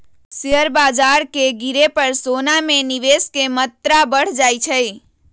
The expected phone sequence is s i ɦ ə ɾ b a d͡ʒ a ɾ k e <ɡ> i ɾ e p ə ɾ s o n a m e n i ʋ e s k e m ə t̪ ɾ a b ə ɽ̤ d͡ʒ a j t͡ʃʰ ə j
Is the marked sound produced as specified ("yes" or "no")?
yes